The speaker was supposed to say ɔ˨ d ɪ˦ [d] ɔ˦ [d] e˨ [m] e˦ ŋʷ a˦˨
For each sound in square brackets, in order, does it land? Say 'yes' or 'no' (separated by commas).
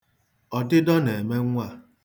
yes, no, yes